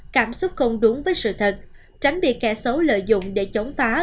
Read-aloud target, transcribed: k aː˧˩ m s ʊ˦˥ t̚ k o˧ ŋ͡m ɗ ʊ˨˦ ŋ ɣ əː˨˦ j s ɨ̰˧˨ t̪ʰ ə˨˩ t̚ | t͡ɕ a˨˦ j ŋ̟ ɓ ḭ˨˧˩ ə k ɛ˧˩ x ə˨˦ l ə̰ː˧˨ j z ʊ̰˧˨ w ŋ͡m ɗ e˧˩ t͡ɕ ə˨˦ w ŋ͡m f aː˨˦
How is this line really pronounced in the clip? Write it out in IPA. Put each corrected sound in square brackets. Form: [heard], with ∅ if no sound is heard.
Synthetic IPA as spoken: k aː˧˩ m s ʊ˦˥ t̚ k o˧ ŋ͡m ɗ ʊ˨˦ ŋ [v] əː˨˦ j s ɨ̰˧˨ t̪ʰ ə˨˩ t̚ | t͡ɕ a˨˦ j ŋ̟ ɓ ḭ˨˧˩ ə k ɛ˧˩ [s] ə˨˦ l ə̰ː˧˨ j z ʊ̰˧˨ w ŋ͡m ɗ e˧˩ t͡ɕ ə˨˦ w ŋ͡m f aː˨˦